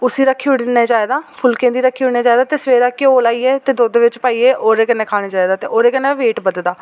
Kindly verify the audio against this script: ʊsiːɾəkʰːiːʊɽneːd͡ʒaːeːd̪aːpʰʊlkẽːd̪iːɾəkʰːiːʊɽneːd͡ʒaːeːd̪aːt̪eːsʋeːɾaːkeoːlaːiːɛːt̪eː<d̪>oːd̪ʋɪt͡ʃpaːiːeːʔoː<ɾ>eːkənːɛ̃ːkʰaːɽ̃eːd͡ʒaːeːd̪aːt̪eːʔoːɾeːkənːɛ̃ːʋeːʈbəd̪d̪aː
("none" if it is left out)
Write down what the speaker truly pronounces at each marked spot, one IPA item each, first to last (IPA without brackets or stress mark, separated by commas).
d̪, ɾ